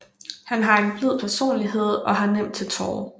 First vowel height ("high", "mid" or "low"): low